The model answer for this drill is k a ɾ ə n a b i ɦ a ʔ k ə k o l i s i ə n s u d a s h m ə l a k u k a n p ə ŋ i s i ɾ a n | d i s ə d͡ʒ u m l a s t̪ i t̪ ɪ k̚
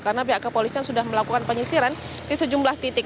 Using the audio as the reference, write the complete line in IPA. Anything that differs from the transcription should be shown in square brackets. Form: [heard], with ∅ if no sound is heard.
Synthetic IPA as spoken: k a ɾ ə n a b i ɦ a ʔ k ə [p] o l i s i [a] n s u d a [∅] h m ə l a k u k a n p ə [ɲ] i s i ɾ a n | d i s ə d͡ʒ u m l a [h] t̪ i t̪ ɪ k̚